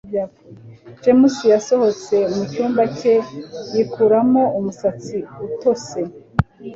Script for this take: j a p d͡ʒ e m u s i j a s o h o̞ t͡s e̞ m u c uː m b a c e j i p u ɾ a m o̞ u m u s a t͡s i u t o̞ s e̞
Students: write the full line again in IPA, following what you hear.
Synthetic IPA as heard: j a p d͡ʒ e m u s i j a s o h o̞ t͡s e̞ m u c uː m b a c e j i k u ɾ a m o̞ u m u s a t͡s i u t o̞ s e̞